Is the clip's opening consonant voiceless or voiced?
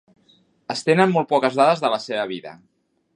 voiceless